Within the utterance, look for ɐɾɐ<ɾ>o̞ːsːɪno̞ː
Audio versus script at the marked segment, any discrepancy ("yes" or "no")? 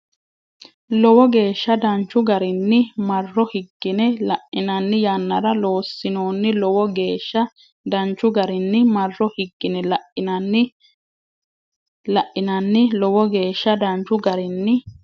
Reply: yes